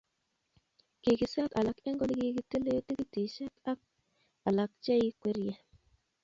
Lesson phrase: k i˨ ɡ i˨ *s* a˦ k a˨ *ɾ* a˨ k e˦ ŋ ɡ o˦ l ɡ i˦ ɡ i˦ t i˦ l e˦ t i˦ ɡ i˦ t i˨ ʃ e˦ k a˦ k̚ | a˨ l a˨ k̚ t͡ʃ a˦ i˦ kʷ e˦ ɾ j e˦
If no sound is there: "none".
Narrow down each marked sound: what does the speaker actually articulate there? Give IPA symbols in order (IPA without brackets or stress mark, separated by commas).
s, l